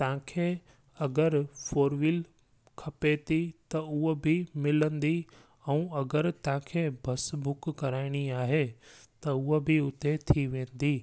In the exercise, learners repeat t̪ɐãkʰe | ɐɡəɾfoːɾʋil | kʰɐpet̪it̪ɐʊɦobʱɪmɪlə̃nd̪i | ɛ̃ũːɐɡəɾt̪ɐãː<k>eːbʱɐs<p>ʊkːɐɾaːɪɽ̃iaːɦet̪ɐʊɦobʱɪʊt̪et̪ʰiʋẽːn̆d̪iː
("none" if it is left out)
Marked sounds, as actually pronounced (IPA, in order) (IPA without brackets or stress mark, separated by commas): kʰ, b